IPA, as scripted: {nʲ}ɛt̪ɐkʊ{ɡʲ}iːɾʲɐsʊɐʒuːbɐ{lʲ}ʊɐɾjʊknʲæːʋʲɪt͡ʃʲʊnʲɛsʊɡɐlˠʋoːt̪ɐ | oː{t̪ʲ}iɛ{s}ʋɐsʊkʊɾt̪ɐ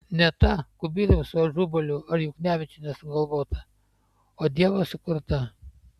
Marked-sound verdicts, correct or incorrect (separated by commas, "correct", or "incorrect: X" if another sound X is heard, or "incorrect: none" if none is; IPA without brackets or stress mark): correct, incorrect: bʲ, correct, incorrect: d̪ʲ, incorrect: none